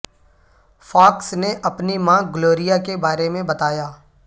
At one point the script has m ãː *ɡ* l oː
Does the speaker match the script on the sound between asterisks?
yes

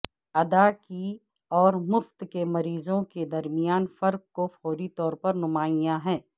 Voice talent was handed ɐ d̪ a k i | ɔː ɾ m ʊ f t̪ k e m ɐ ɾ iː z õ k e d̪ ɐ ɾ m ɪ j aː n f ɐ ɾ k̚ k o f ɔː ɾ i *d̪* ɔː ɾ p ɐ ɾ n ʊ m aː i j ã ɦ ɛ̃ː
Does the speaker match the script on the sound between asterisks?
no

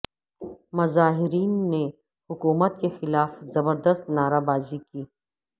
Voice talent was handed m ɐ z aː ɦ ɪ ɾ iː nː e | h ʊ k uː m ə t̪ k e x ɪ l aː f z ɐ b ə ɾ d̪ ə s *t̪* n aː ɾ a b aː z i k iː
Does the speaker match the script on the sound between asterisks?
yes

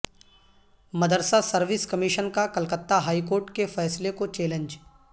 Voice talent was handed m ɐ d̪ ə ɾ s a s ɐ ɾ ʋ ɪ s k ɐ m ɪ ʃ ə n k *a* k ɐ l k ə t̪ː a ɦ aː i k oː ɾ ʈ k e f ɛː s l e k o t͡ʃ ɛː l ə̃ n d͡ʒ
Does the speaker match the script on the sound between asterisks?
yes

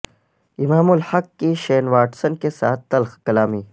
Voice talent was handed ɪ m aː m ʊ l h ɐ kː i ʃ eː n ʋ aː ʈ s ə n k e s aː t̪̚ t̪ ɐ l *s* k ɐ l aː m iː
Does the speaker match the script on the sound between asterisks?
no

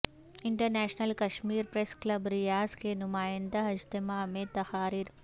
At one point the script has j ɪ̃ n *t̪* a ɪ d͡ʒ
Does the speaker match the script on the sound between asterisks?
no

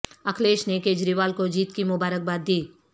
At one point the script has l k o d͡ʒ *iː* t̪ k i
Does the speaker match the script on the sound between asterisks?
yes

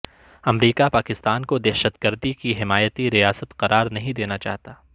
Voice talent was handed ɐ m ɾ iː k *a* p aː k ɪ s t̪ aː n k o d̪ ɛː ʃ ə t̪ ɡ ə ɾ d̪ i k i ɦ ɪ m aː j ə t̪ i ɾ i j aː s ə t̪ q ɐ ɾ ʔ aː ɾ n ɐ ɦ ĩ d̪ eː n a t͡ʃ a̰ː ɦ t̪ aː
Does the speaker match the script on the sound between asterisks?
yes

